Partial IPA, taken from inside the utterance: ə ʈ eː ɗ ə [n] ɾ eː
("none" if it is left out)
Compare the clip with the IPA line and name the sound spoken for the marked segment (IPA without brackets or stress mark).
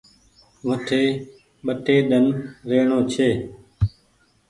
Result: n